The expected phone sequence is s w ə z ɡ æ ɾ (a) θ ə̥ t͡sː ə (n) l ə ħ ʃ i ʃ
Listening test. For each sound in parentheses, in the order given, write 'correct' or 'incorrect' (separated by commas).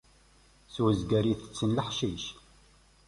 incorrect, correct